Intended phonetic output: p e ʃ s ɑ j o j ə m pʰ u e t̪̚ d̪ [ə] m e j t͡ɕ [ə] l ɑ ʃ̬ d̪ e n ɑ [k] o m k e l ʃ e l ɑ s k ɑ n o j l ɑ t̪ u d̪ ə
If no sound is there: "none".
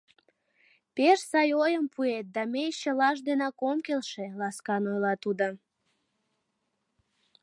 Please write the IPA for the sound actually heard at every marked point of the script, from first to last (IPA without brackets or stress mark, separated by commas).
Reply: ɑ, ə, k